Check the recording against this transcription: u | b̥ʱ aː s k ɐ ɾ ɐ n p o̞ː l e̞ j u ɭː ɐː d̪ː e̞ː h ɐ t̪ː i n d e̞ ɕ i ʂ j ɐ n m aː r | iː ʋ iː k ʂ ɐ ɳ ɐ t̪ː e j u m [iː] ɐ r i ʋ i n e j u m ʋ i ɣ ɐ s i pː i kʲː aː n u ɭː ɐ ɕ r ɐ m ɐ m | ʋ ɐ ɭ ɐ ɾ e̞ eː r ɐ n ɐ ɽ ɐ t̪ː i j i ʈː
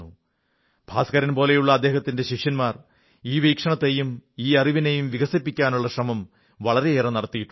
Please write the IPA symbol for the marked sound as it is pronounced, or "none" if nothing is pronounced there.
iː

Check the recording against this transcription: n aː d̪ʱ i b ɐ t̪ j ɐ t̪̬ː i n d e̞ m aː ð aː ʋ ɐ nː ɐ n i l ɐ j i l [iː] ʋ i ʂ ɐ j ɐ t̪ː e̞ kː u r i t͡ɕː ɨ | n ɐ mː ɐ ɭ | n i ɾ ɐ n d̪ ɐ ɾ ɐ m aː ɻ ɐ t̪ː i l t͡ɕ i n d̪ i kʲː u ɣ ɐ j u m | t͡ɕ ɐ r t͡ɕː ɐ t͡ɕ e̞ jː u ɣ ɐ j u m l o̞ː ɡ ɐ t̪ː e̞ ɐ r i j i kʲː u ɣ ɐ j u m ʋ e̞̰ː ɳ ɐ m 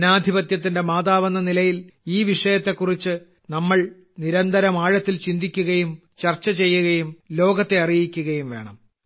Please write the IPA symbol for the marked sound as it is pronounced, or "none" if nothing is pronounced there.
iː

